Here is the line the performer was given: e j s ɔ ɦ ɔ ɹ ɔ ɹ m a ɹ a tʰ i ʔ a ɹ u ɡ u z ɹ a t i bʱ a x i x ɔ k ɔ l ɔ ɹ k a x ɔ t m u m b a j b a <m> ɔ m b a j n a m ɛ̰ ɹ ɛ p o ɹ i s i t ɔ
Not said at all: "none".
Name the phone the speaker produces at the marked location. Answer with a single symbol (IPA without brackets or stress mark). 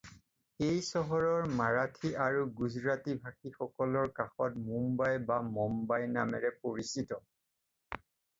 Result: m